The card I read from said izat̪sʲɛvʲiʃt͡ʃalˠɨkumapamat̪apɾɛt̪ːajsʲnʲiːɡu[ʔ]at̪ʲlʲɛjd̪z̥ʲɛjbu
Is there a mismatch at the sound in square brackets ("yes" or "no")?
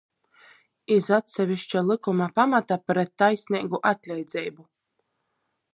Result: no